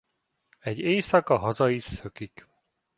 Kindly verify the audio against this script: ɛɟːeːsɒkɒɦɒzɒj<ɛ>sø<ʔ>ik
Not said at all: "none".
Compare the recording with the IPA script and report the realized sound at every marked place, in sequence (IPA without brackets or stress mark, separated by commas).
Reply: i, k